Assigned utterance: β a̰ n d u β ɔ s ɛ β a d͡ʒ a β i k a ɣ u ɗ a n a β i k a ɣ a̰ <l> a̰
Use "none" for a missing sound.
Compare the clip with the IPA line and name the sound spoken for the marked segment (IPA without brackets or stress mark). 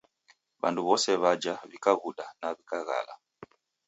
l